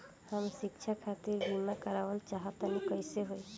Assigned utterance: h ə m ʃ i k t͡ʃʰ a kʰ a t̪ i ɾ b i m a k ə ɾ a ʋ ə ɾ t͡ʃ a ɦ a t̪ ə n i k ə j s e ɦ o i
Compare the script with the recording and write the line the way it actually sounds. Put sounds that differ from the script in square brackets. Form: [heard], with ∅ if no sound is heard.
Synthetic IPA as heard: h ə m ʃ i k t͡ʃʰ a kʰ a t̪ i ɾ b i m a k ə ɾ a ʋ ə [l] t͡ʃ a ɦ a t̪ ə n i k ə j s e ɦ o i